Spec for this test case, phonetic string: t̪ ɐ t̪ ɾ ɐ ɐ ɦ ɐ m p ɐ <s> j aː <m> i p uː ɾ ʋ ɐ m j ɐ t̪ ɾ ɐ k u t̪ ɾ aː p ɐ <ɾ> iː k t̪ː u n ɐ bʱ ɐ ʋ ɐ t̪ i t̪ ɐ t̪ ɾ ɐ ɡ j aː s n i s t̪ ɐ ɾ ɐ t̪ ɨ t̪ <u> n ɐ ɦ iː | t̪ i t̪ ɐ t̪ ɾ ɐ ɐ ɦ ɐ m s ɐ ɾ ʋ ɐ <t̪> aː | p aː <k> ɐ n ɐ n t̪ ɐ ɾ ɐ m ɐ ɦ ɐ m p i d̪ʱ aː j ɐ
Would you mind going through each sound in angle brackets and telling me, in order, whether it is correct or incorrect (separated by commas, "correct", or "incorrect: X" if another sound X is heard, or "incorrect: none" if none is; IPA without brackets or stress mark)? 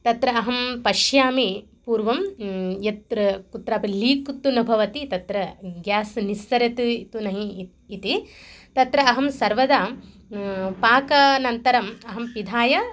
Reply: incorrect: ʃ, correct, incorrect: l, correct, incorrect: d̪, correct